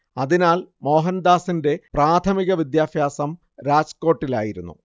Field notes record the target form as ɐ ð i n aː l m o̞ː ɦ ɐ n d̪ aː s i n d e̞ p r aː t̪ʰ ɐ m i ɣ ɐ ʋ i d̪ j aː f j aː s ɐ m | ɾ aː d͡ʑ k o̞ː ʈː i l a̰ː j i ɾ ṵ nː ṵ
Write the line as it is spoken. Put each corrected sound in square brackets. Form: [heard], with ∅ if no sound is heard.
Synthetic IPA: ɐ ð i n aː l m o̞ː ɦ ɐ n d̪ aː s i n d e̞ p r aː t̪ʰ ɐ m i ɣ ɐ ʋ i d̪ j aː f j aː s ɐ m | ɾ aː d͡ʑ k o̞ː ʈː i l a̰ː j i ɾ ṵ nː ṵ